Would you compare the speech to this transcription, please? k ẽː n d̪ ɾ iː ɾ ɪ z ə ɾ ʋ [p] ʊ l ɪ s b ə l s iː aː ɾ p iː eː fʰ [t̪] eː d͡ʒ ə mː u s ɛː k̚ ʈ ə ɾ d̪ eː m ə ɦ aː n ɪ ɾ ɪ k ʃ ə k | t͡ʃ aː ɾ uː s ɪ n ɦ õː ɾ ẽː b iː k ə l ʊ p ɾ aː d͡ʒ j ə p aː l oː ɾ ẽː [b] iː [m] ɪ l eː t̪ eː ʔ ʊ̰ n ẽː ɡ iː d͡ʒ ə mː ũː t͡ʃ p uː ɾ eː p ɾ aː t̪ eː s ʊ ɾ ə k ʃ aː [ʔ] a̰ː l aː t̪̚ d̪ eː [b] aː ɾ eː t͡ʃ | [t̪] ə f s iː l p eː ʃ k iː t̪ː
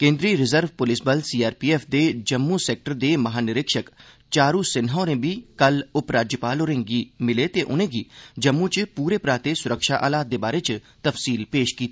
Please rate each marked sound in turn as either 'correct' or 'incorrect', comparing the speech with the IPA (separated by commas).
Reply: correct, incorrect, incorrect, correct, correct, correct, correct